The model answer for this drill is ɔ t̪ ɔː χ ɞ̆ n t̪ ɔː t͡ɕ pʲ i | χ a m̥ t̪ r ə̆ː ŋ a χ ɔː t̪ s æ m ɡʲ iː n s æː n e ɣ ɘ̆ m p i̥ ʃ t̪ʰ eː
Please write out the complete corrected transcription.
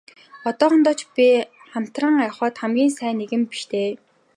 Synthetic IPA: ɔ t̪ ɔː χ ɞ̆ n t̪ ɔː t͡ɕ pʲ i | χ a m̥ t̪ r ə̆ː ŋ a χ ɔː t̪ χ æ m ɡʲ iː n s æː n e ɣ ɘ̆ m p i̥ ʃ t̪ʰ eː